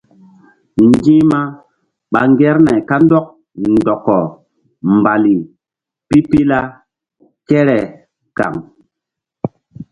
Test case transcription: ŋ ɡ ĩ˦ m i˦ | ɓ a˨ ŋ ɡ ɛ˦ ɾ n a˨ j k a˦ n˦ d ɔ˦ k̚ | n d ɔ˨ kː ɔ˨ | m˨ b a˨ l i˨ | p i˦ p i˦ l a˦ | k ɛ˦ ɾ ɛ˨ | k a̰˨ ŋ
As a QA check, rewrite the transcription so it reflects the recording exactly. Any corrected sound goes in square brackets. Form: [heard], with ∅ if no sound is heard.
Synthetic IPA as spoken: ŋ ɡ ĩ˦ m [a˦] | ɓ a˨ ŋ ɡ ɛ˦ ɾ n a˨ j k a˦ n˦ d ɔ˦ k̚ | n d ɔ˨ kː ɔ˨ | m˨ b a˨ l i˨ | p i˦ p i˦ l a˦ | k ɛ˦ ɾ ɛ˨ | k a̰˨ ŋ